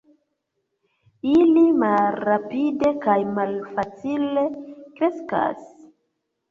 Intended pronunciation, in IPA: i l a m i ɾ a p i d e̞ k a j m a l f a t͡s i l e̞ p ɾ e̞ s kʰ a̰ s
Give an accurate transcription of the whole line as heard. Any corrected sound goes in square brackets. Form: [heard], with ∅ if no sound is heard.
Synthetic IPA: i l [i] m [a] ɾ a p i d e̞ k a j m a l f a t͡s i l e̞ [k] ɾ e̞ s [k] a̰ s

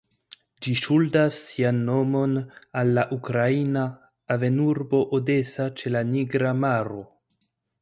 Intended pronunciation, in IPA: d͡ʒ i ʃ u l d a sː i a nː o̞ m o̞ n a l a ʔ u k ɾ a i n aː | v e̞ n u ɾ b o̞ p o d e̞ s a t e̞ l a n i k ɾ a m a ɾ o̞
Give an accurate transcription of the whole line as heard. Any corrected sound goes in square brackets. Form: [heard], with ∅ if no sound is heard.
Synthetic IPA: d͡ʒ i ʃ u l d a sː i a nː o̞ m o̞ n a [lː] a ʔ u k ɾ a i n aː | v e̞ n u ɾ b o̞ [ʔ] o d e̞ s a [t͡ʃ] e̞ l a n i [ɡ] ɾ a m a ɾ o̞

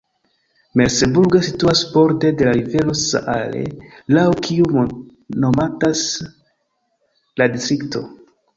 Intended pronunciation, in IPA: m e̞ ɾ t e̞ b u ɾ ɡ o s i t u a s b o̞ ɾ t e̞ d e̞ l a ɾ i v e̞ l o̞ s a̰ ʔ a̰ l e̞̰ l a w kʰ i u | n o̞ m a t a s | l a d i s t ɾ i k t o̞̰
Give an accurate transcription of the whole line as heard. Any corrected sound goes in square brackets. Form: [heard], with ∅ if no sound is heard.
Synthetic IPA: m e̞ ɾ [s] e̞ b u ɾ ɡ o s i t u a s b o̞ ɾ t e̞ d e̞ l a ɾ i v e̞ l o̞ s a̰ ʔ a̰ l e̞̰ l a w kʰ i u | n o̞ m a t a s | l a d i s t ɾ i k t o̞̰

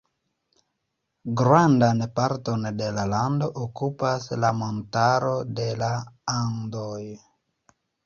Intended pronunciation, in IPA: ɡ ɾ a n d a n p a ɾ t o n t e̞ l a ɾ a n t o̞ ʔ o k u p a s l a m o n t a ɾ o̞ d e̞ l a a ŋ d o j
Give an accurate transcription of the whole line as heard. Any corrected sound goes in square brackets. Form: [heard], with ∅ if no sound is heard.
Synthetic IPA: ɡ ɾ a n d a n p a ɾ t o n [d] e̞ l a [l] a n [d] o̞ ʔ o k u p a s l a m o n t a ɾ o̞ d e̞ l a a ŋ d o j

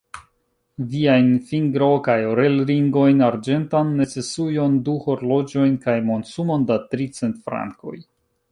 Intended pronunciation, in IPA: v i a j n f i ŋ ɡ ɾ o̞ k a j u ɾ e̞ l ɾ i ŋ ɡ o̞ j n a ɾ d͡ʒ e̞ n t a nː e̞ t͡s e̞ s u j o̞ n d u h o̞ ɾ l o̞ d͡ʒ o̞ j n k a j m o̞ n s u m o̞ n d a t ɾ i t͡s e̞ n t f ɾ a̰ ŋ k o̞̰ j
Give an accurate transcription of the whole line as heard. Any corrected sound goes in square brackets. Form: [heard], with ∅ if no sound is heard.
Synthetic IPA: v i a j n f i ŋ ɡ ɾ o̞ k a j [o] ɾ e̞ l ɾ i ŋ ɡ o̞ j n a ɾ d͡ʒ e̞ n t a nː e̞ t͡s e̞ s u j o̞ n d u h o̞ ɾ l o̞ d͡ʒ o̞ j n k a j m o̞ n s u m o̞ n d a t ɾ i t͡s e̞ n t f ɾ a̰ ŋ k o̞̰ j

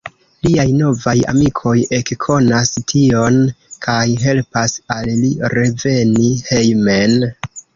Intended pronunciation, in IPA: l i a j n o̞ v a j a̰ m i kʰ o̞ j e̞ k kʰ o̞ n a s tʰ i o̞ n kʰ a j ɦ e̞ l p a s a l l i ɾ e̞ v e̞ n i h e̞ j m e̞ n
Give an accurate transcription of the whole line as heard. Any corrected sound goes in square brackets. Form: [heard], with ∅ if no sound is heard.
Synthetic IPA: l i a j n o̞ v a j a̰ m i kʰ o̞ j e̞ k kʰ o̞ n a s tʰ i o̞ n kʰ a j ɦ e̞ l p a s a l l i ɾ e̞ v e̞ n i h e̞ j m e̞ n

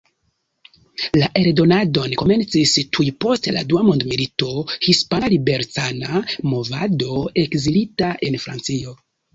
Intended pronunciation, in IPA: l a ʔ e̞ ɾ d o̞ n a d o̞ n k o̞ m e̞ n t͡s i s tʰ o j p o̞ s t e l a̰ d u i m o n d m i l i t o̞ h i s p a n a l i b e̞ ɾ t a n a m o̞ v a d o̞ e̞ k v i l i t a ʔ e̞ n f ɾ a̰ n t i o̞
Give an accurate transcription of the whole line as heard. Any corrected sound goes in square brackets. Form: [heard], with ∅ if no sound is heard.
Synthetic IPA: l a ʔ e̞ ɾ d o̞ n a d o̞ n k o̞ m e̞ n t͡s i s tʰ [u] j p o̞ s t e l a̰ d u [a] m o n d m i l i t o̞ h i s p a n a l i b e̞ ɾ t a n a m o̞ v a d o̞ e̞ k [z] i l i t a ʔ e̞ n f ɾ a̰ n [t͡s] i o̞

